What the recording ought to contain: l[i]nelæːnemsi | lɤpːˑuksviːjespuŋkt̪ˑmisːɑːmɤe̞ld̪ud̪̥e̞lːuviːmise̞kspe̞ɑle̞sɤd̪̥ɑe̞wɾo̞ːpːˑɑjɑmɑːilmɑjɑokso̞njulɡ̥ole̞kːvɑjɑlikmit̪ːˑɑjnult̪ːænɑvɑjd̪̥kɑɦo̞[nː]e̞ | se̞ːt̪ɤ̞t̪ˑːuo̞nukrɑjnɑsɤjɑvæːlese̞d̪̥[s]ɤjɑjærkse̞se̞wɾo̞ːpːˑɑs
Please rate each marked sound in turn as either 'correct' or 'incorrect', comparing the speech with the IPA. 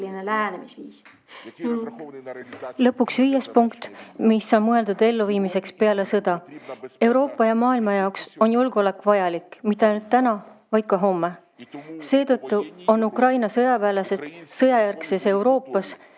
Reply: correct, incorrect: mː, correct

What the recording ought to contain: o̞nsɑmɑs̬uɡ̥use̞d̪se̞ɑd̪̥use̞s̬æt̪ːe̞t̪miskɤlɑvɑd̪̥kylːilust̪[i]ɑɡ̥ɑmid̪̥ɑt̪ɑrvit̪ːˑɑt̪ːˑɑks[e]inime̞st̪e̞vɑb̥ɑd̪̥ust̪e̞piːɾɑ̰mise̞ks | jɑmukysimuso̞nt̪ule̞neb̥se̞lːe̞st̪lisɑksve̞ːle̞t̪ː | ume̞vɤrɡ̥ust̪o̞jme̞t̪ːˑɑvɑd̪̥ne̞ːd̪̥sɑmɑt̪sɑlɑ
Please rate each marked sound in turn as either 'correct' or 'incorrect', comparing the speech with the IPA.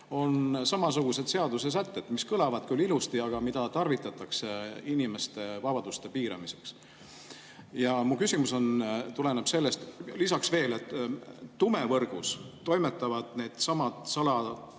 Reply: correct, correct

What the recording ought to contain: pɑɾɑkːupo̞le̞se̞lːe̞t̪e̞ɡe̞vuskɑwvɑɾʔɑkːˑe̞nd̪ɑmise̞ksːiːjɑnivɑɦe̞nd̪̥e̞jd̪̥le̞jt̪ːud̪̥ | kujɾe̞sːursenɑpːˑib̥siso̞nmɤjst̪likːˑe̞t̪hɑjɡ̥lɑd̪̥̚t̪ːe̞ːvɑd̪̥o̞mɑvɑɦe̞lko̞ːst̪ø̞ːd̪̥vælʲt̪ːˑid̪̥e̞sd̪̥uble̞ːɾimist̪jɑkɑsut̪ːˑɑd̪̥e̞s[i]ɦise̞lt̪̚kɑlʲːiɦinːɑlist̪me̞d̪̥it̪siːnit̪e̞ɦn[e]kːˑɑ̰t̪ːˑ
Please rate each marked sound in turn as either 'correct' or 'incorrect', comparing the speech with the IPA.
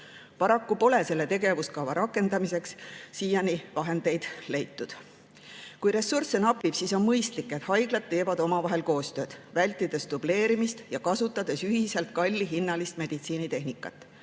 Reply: incorrect: y, incorrect: i

